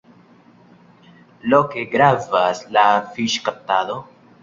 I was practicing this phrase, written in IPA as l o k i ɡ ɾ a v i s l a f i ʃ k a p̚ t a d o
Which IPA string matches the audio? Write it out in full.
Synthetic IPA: l o k e ɡ ɾ a v a s l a f i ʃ k a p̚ t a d o